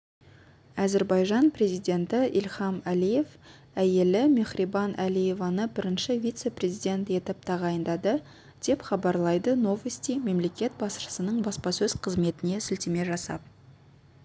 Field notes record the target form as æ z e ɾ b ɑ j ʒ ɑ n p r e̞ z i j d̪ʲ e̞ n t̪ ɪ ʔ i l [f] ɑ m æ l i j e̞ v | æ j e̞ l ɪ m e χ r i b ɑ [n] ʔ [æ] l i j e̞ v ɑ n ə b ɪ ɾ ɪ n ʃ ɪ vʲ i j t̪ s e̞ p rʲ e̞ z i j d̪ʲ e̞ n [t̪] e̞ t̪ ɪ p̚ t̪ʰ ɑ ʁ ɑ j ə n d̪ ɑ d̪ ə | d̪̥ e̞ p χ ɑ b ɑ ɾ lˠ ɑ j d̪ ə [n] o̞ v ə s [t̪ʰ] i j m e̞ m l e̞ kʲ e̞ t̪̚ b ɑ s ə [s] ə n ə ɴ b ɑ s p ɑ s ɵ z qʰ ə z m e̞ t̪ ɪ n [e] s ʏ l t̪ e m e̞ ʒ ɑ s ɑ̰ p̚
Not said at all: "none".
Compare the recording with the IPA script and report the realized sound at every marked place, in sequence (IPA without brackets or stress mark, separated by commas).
χ, n, æ, t̪, n, t̪, s, e